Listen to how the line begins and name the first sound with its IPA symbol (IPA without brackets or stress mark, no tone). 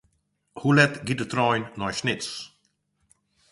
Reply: h